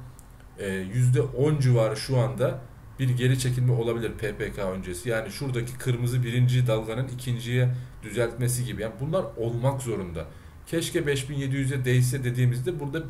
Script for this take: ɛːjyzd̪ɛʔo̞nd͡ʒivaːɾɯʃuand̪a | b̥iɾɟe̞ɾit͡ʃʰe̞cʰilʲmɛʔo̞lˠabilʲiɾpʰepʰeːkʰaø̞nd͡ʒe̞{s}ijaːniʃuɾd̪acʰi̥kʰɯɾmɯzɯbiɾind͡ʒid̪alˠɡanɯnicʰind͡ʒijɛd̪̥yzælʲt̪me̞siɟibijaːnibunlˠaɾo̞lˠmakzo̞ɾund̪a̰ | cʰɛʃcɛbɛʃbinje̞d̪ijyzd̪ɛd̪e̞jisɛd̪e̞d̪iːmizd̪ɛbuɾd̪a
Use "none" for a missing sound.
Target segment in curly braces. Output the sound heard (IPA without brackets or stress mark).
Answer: s